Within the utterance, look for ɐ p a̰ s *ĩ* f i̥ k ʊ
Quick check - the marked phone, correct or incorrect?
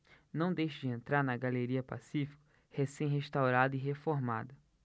incorrect